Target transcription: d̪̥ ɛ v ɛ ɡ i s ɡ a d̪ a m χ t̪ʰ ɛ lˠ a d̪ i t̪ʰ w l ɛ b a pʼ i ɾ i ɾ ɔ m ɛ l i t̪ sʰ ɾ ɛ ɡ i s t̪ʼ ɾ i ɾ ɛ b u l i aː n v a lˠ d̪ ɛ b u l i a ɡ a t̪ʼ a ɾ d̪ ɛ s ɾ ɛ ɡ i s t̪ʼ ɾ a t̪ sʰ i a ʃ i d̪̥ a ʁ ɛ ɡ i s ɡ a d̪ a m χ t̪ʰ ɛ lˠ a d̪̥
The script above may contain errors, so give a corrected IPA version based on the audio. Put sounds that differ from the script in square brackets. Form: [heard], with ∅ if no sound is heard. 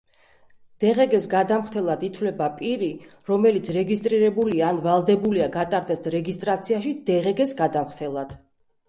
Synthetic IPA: d̪̥ ɛ [ʁ] ɛ ɡ [ɛ] s ɡ a d̪ a m χ t̪ʰ ɛ lˠ a d̪ i t̪ʰ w l ɛ b a pʼ i ɾ i ɾ ɔ m ɛ l i t̪ sʰ ɾ ɛ ɡ i s t̪ʼ ɾ i ɾ ɛ b u l i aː n v a lˠ d̪ ɛ b u l i a ɡ a t̪ʼ a ɾ d̪ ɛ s ɾ ɛ ɡ i s t̪ʼ ɾ a t̪ sʰ i a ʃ i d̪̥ [ɛ] ʁ ɛ ɡ [ɛ] s ɡ a d̪ a m χ t̪ʰ ɛ lˠ a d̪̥